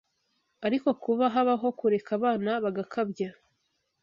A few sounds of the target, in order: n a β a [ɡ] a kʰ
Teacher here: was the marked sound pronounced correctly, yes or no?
yes